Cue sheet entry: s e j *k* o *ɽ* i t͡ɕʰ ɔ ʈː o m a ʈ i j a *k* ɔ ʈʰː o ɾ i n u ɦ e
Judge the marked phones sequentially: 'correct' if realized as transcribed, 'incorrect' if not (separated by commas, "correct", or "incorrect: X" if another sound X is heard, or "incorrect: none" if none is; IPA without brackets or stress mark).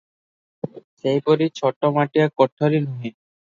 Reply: incorrect: p, incorrect: ɾ, correct